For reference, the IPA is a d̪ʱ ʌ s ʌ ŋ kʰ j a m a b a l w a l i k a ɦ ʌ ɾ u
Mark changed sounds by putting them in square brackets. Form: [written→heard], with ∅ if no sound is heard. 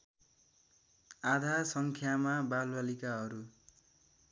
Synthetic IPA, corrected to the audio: a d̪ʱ [ʌ→a] s ʌ ŋ kʰ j a m a b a l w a l i k a ɦ ʌ ɾ u